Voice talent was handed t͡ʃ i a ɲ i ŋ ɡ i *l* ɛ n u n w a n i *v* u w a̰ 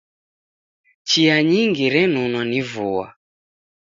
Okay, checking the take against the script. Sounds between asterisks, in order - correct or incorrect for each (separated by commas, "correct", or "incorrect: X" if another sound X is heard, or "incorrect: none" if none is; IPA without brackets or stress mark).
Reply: incorrect: ɾ, correct